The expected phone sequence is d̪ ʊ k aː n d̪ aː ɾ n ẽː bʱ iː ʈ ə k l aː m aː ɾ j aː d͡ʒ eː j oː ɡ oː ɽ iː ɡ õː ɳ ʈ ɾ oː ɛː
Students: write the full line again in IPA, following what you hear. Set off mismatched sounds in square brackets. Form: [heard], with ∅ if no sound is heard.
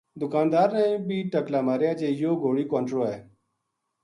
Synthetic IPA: d̪ ʊ k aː n d̪ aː ɾ n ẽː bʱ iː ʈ ə k l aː m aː ɾ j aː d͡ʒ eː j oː ɡ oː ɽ iː [k] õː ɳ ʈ ɾ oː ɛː